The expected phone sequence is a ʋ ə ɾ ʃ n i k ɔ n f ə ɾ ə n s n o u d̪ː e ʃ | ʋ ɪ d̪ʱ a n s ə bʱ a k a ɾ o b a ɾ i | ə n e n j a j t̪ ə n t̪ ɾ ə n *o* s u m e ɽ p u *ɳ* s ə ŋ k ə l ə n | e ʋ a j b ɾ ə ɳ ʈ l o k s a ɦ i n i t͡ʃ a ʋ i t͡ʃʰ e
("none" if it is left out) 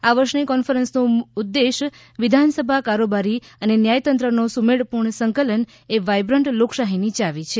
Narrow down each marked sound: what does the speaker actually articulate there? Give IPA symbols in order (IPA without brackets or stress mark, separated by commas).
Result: o, ɳ